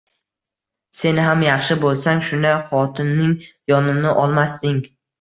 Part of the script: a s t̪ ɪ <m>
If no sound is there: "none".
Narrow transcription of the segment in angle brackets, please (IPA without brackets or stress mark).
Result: ŋ